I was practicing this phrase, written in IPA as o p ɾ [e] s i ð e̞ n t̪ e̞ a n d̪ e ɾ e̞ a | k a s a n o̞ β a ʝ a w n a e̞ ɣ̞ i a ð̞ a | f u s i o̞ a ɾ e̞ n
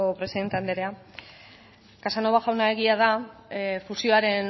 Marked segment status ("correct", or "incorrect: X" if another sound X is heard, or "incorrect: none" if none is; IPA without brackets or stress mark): correct